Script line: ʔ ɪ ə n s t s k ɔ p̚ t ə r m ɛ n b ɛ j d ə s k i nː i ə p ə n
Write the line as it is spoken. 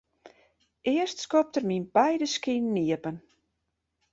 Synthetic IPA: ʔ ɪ ə s t s k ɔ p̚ t ə r m i n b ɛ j d ə s k i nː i ə p ə n